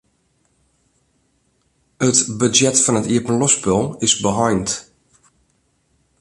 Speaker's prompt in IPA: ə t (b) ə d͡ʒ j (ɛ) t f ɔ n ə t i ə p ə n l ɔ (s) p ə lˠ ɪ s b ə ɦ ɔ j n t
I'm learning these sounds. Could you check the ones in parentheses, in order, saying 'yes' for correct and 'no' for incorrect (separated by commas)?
yes, yes, yes